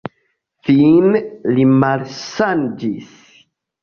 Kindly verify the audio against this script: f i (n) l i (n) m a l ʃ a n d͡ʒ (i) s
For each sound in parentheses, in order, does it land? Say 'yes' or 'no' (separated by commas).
yes, no, yes